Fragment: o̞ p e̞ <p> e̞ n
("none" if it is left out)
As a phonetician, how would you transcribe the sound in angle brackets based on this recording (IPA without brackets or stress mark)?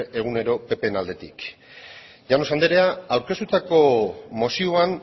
p